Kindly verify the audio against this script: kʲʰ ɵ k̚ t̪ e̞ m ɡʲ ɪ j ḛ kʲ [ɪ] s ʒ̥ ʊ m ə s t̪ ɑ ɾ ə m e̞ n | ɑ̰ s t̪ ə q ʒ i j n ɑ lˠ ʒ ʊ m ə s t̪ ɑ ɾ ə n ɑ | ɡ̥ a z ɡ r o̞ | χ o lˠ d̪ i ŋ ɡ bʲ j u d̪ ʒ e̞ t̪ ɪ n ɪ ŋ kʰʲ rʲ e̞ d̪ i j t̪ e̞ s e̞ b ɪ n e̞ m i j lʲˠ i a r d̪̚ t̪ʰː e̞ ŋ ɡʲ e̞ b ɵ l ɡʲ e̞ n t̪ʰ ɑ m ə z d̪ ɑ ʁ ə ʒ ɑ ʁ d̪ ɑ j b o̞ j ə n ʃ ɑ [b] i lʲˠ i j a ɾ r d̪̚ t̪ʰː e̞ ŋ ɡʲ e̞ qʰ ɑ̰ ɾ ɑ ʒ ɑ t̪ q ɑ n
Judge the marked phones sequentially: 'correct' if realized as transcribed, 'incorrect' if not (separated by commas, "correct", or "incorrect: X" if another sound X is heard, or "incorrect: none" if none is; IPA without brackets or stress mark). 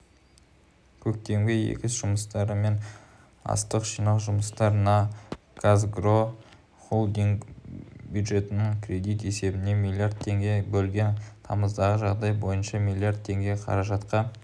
correct, incorrect: m